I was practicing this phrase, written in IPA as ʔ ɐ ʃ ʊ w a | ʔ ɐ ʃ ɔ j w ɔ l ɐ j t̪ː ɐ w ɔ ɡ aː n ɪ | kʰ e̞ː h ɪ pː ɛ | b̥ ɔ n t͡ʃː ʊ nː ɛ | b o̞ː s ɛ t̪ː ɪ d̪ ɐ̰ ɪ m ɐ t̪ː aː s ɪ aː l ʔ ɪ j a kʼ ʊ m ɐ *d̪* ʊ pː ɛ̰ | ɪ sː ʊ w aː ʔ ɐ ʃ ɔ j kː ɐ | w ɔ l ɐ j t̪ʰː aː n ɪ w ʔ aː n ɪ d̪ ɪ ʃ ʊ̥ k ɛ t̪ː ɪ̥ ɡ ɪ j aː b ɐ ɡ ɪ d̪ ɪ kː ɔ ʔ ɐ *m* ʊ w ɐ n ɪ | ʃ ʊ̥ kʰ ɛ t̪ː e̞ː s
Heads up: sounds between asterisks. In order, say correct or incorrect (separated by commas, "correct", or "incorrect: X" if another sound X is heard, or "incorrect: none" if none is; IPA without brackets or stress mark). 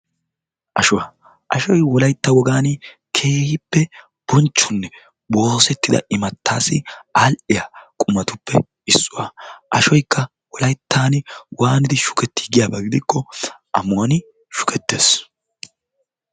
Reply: incorrect: t̪, correct